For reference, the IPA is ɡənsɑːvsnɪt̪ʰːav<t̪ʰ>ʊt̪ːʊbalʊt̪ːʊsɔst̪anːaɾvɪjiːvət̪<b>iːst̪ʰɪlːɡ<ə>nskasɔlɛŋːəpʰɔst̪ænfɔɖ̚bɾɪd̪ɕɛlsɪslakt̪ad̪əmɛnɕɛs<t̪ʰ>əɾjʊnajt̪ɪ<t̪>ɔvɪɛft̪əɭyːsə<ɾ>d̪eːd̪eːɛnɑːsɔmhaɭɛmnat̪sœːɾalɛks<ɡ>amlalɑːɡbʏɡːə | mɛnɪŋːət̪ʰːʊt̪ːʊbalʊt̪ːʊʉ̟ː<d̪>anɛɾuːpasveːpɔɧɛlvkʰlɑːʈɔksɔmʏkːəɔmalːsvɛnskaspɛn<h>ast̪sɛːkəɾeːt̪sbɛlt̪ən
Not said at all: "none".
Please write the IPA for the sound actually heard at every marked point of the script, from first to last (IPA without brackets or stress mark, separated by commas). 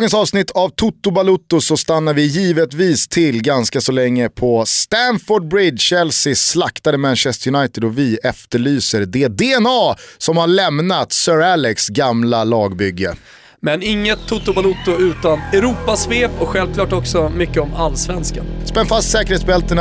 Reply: t̪ʰ, v, a, t̪, d̪, ɾ, ɡ, t̪, f